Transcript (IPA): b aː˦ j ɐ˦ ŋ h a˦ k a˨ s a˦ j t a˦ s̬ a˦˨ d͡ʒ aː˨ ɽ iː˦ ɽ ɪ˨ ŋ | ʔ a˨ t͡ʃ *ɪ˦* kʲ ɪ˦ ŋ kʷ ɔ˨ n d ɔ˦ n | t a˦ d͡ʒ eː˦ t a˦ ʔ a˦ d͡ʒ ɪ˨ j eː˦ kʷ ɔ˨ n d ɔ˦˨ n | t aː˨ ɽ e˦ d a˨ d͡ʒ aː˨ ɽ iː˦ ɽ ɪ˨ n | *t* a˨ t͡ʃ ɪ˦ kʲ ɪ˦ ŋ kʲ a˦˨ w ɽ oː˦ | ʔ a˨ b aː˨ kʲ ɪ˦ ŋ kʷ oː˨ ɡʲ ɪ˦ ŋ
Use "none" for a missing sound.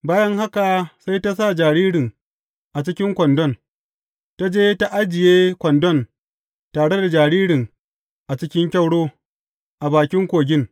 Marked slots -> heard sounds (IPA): ɪ˦, ʔ

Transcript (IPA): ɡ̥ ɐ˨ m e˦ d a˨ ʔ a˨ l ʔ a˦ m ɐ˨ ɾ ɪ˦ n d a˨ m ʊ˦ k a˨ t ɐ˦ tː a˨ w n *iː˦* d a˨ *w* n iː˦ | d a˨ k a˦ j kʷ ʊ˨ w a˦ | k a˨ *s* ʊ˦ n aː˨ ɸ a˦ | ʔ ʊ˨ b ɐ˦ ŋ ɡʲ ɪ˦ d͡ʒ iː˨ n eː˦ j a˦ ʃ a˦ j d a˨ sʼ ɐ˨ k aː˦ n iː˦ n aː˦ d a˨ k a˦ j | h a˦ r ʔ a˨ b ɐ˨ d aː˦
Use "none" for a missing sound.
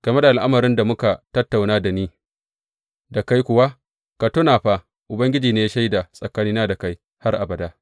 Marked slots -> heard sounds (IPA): aː˦, none, t

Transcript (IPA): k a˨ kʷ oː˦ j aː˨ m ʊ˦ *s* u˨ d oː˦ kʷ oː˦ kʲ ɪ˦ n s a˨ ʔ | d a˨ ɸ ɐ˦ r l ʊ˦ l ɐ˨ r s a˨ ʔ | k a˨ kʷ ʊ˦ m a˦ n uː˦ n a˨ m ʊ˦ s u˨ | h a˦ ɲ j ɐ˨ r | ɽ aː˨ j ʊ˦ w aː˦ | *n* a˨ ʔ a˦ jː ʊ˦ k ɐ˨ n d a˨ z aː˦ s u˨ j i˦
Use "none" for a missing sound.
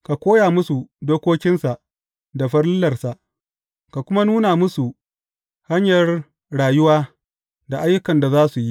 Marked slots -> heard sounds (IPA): s, d

